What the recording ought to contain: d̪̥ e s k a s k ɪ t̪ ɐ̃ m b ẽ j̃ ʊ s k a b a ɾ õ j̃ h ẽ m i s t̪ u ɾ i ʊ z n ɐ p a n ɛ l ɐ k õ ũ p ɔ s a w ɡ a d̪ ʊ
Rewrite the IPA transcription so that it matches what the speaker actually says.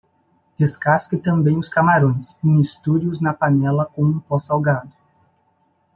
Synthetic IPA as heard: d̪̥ e s k a s k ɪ t̪ ɐ̃ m b ẽ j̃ ʊ s k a m a ɾ õ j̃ s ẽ m i s t̪ u ɾ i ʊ z n ɐ p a n ɛ l ɐ k õ ũ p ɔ s a w ɡ a d̪ ʊ